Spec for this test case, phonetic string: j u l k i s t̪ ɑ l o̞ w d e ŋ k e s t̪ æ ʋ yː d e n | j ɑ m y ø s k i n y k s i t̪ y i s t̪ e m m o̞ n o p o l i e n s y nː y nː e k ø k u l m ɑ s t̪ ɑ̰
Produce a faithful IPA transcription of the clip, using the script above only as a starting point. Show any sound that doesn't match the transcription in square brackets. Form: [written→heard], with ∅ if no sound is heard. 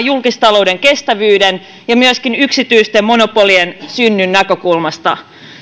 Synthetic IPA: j u l k i s t̪ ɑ l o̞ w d e ŋ k e s t̪ æ ʋ yː d e n | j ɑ m y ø s k i n y k s i t̪ y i s t̪ e m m o̞ n o p o l i e n s y nː y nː [e→æ] k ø k u l m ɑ s t̪ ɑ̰